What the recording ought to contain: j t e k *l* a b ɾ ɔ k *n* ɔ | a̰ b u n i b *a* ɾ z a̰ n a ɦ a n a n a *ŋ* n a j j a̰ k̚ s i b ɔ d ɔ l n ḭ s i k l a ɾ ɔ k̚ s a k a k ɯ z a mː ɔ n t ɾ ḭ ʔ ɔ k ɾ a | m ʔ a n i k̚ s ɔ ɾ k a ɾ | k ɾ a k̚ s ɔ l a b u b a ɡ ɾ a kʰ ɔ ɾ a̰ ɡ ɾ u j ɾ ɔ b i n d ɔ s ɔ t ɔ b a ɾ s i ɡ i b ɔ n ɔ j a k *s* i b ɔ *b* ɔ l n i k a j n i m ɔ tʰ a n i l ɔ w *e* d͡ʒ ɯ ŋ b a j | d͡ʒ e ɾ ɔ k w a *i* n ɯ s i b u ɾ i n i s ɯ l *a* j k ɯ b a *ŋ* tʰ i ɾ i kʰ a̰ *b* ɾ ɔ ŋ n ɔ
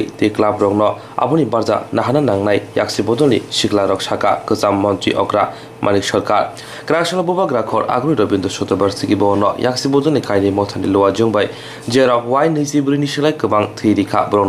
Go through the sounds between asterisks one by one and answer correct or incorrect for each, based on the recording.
correct, correct, correct, correct, correct, incorrect, incorrect, incorrect, correct, correct, correct

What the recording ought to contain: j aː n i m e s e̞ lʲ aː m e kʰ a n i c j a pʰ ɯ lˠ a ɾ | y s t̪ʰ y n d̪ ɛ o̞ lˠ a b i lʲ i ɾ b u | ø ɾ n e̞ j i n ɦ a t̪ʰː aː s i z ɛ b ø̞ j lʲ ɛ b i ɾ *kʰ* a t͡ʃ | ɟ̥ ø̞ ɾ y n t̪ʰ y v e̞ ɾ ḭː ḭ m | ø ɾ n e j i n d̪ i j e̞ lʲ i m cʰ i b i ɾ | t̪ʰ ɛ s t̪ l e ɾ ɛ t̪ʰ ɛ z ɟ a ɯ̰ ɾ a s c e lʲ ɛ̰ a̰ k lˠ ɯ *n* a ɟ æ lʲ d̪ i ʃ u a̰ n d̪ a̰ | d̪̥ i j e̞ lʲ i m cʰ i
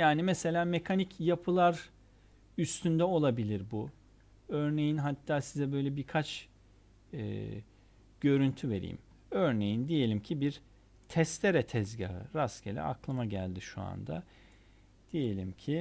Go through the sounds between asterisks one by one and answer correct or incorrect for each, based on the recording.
correct, incorrect

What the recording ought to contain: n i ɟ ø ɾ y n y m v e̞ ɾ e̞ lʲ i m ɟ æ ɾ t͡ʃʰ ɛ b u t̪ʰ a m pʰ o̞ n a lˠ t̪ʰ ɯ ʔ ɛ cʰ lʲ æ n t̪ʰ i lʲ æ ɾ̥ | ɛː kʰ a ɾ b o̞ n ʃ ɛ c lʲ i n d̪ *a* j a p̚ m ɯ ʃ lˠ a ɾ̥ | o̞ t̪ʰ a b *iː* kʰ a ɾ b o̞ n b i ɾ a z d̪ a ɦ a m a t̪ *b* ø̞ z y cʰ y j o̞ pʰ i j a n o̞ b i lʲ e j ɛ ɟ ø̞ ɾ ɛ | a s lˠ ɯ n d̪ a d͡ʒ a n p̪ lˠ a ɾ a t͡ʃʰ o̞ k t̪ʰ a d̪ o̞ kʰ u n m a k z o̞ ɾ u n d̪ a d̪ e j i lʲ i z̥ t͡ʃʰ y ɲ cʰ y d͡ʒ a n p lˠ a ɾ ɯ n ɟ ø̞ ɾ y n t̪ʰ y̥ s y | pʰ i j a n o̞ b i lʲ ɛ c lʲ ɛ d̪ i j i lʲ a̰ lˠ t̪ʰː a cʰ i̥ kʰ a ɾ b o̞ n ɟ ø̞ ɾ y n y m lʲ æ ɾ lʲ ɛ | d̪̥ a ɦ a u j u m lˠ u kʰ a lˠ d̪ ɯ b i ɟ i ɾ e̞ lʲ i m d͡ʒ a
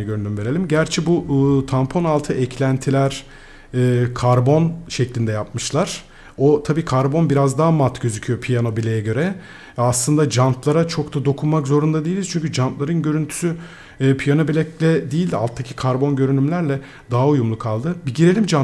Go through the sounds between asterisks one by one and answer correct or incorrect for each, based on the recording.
incorrect, correct, incorrect

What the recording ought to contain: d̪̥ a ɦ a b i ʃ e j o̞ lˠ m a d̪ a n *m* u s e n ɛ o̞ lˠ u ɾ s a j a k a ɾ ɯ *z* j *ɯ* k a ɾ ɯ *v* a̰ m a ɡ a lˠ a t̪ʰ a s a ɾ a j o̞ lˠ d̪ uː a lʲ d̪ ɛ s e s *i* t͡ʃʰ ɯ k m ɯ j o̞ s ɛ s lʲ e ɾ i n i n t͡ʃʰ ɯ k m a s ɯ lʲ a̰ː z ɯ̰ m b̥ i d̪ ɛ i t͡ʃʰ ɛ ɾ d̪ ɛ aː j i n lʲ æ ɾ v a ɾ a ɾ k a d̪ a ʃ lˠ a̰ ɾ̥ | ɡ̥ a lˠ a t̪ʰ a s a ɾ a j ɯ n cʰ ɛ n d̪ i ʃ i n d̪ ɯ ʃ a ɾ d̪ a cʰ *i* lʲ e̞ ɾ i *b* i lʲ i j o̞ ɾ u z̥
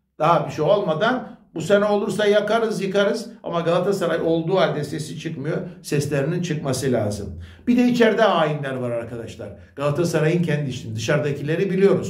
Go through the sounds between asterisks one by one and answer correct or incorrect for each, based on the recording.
incorrect, correct, correct, incorrect, correct, correct, correct

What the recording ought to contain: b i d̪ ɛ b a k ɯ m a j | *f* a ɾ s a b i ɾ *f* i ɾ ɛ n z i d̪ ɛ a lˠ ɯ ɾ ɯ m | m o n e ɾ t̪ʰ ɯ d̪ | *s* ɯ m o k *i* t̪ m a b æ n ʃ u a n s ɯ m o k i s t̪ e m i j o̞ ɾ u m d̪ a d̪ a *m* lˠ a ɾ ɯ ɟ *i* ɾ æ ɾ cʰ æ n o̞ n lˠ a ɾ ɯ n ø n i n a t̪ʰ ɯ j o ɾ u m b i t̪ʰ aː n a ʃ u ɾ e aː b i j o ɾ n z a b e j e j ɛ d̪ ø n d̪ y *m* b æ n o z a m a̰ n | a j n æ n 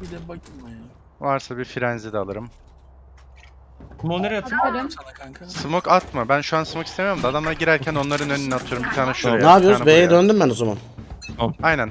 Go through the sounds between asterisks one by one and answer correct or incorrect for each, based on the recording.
incorrect, correct, correct, incorrect, correct, correct, correct

